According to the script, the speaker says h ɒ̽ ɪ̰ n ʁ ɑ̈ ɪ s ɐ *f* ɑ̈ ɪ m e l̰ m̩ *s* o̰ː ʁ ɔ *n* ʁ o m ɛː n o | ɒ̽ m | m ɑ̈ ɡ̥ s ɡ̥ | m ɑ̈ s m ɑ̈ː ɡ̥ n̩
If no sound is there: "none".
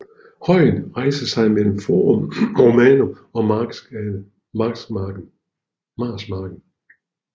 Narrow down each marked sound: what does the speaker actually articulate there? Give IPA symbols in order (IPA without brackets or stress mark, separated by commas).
s, f, m